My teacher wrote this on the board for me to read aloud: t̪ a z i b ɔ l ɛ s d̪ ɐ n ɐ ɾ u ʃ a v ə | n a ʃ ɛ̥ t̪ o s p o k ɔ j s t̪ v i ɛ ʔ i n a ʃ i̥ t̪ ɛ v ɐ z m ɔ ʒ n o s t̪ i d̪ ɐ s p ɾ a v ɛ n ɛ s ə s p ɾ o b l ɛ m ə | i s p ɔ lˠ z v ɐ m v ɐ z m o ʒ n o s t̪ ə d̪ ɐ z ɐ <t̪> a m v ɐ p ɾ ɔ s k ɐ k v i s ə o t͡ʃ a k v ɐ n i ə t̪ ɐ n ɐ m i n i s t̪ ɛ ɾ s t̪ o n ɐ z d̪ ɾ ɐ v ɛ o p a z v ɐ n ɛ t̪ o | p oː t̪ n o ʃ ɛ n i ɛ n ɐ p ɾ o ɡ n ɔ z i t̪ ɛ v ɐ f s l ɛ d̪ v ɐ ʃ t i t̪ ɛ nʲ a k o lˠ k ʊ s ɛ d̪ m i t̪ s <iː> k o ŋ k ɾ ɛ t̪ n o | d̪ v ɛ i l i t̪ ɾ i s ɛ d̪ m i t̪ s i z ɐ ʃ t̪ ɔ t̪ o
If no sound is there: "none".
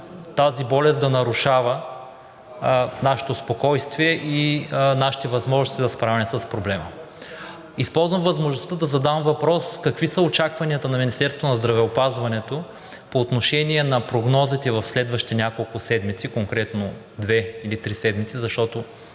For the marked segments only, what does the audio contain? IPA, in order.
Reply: d̪, i

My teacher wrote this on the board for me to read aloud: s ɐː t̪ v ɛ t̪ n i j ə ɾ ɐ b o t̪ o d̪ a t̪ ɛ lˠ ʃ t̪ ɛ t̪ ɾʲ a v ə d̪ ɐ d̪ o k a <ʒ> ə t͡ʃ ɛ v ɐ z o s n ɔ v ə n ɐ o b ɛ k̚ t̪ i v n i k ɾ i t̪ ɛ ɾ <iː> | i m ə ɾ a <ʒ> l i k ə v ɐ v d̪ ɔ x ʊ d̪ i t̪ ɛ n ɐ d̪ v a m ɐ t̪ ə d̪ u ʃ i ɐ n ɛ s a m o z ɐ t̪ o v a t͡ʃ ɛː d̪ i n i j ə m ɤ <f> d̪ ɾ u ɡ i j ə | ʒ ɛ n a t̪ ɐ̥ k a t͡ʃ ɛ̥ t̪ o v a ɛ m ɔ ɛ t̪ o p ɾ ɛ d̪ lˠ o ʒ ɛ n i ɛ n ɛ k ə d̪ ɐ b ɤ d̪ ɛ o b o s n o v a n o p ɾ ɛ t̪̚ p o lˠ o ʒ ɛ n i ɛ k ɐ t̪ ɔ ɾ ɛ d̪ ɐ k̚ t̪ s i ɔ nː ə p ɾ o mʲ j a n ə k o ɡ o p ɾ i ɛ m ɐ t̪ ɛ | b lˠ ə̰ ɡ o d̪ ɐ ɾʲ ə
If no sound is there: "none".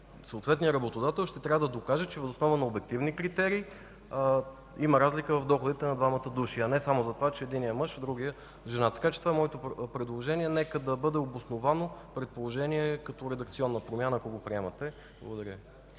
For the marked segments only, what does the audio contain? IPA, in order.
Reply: ʒ, iː, z, ʃ

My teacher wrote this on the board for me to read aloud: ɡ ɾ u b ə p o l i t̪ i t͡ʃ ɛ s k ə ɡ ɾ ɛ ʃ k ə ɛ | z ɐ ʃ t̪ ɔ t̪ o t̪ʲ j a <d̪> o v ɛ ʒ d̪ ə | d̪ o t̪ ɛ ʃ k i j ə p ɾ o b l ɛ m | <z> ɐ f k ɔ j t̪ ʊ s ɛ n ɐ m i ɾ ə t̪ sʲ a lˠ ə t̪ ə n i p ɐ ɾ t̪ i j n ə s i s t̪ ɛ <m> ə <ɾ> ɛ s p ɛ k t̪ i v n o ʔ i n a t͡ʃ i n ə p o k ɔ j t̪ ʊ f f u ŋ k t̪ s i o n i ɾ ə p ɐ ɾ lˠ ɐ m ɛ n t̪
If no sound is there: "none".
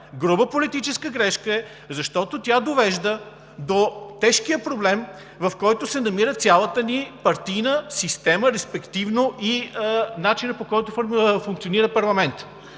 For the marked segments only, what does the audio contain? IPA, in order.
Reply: d̪, v, m, ɾ

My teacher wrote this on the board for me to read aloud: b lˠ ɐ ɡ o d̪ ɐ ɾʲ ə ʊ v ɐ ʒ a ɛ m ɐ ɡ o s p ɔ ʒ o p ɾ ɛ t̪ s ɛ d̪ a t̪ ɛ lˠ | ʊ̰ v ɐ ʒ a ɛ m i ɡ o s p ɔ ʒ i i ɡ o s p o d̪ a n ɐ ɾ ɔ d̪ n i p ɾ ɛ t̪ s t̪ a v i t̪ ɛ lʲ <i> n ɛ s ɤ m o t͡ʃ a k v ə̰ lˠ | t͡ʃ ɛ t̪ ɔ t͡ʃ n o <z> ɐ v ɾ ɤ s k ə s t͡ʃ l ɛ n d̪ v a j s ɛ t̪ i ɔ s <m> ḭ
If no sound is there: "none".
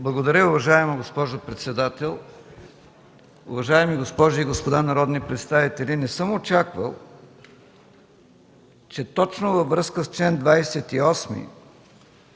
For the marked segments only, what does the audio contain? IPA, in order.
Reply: i, v, m

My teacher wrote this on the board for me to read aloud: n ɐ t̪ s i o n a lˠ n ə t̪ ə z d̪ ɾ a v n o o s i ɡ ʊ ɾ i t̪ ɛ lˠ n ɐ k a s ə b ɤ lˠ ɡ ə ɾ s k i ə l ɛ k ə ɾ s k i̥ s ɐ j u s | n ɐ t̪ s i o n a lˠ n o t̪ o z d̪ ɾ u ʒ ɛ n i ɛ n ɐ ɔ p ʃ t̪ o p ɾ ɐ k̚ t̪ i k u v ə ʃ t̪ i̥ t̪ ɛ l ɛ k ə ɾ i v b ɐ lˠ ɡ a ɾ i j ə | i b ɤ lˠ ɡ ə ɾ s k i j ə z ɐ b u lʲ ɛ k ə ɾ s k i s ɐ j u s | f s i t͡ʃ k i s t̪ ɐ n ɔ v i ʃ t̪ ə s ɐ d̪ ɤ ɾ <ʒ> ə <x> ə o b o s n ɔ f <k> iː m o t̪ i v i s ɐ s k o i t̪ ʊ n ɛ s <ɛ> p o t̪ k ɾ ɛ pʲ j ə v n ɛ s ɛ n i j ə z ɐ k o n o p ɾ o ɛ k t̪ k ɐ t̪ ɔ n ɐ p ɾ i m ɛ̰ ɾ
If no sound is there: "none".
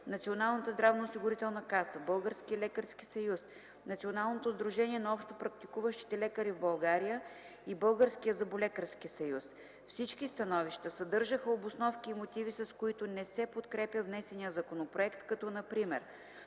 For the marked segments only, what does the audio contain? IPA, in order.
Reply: ʒ, x, k, ɛ

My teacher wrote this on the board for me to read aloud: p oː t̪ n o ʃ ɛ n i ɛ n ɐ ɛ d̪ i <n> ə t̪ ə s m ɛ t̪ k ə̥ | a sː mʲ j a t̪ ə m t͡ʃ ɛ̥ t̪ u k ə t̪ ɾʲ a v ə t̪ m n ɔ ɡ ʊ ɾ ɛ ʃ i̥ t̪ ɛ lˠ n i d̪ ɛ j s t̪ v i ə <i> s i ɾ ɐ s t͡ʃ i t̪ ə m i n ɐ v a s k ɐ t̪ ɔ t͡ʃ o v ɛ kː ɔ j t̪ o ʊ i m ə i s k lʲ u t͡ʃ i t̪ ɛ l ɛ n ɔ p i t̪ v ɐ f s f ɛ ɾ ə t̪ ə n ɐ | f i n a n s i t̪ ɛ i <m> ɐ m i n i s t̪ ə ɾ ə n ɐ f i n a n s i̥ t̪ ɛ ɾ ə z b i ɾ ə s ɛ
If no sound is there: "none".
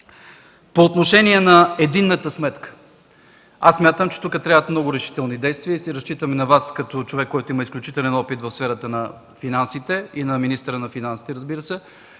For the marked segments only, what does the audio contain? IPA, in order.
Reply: nː, i, n

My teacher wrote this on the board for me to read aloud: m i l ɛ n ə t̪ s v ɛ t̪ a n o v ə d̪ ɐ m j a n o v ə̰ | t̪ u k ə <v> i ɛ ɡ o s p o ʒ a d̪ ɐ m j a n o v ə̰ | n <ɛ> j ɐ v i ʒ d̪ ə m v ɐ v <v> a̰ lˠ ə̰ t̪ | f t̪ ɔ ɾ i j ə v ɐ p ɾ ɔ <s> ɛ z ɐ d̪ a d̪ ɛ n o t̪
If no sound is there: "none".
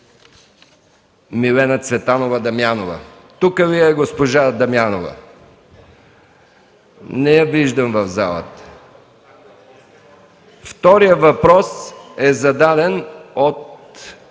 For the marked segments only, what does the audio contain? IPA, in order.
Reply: v, ɛ, z, s

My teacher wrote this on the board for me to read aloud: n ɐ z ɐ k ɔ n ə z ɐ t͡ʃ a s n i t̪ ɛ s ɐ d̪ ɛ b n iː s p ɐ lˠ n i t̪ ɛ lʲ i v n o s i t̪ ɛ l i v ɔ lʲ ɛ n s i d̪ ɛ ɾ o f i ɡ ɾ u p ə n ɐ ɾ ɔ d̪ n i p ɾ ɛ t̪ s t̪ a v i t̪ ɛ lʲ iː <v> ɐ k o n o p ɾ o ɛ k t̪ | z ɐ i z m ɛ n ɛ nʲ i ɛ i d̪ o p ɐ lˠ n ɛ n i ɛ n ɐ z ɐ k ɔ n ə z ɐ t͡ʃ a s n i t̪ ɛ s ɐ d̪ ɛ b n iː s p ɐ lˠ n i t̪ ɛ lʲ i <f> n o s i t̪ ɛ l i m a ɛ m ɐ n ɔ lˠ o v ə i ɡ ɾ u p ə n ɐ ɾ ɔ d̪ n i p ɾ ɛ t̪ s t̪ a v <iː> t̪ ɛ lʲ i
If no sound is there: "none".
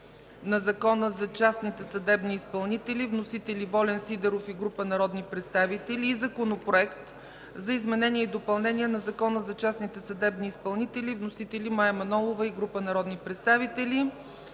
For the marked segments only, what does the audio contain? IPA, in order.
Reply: z, v, i

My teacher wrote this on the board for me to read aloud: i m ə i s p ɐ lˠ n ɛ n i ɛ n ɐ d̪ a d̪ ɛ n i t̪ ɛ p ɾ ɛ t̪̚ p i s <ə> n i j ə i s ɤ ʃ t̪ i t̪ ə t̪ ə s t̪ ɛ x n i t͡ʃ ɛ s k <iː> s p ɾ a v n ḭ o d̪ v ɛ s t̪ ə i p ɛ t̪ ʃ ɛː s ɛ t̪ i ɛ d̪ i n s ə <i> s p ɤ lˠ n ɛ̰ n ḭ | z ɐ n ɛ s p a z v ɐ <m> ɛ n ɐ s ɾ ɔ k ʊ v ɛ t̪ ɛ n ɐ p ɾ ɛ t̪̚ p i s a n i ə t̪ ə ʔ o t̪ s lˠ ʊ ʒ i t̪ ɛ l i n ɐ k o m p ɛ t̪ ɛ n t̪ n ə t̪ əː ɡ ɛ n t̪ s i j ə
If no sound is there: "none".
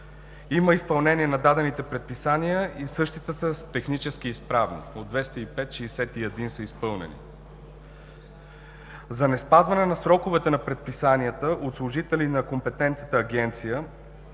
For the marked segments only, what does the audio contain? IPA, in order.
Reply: a, iː, i, n

